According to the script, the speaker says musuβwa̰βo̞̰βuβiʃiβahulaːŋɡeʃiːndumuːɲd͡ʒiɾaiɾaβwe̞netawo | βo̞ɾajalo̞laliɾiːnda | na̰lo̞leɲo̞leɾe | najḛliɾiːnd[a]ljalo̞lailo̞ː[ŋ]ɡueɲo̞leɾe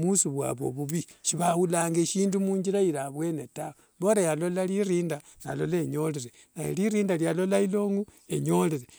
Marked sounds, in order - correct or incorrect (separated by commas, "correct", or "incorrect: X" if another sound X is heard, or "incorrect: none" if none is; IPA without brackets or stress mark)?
correct, correct